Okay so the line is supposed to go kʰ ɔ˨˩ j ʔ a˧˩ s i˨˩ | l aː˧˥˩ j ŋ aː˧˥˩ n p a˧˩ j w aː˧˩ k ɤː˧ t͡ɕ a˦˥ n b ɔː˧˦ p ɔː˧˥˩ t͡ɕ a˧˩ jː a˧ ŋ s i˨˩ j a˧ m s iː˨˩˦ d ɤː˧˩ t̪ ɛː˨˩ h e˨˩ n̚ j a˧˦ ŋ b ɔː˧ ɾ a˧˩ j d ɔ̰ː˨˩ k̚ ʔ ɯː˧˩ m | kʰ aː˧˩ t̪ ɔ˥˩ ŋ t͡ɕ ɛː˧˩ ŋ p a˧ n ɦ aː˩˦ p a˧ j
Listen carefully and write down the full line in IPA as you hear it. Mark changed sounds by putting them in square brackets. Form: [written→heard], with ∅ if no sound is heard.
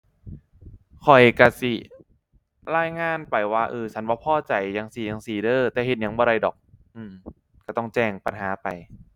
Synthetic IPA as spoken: kʰ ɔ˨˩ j [ʔ→k] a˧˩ s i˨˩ | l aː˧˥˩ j ŋ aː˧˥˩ n p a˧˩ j w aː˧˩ [k→ʔ] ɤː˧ [t͡ɕ→t͡ɕʰ] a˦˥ n b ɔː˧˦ [p→pʰ] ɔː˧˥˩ t͡ɕ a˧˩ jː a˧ ŋ s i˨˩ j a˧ [m→ŋ] s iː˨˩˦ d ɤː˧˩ t̪ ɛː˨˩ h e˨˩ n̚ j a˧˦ ŋ b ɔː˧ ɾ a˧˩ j d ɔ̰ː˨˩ k̚ ʔ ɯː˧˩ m | [kʰ→k] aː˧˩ t̪ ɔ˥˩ ŋ t͡ɕ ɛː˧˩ ŋ p a˧ n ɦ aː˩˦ p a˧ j